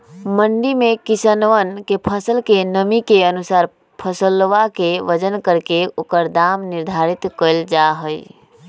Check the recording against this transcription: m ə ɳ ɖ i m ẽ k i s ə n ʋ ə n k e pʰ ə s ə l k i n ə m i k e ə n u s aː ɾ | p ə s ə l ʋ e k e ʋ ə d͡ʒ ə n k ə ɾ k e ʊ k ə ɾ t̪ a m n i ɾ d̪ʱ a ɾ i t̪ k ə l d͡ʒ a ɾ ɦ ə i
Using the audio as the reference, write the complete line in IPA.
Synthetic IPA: m ə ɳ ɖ i m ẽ k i s ə n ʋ ə n k e pʰ ə s ə l k e n ə m i k e ə n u s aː ɾ | pʰ ə s ə l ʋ a k e ʋ ə d͡ʒ ə n k ə ɾ k e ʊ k ə ɾ d̪ a m n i ɾ d̪ʱ a ɾ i t̪ k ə l d͡ʒ a ɦ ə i